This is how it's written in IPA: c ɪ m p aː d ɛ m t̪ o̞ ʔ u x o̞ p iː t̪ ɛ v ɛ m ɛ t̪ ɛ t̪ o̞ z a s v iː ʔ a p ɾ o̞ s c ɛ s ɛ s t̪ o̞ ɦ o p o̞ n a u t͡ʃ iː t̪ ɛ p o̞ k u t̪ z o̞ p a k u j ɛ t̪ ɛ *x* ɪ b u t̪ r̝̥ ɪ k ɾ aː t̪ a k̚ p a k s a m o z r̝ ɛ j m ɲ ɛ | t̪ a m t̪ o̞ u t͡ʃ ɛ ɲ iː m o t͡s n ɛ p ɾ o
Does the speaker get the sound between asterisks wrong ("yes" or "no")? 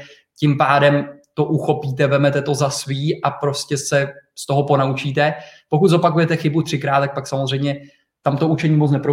no